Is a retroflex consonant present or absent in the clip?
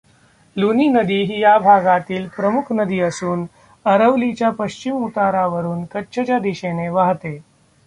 absent